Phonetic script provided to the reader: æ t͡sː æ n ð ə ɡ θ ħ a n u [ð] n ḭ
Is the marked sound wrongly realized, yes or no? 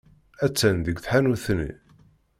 yes